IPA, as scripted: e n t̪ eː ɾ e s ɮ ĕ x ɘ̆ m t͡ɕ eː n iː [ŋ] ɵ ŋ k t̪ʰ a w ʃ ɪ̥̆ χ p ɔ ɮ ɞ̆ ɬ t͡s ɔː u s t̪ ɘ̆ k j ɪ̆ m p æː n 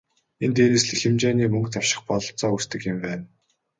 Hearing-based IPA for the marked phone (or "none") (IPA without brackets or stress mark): m